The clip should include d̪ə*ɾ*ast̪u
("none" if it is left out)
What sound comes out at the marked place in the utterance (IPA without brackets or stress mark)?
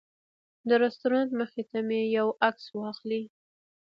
ɾ